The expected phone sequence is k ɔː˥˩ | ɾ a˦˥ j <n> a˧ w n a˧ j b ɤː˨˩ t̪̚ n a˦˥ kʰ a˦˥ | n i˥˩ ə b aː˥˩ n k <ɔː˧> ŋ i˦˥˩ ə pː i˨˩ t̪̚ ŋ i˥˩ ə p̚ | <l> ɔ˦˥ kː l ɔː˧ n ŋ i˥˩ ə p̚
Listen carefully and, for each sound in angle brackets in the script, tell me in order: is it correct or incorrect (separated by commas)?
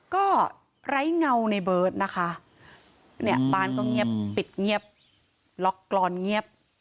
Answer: incorrect, incorrect, correct